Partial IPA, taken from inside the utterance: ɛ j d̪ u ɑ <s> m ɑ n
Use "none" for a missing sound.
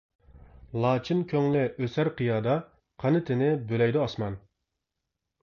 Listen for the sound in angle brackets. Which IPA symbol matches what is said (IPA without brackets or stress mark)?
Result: s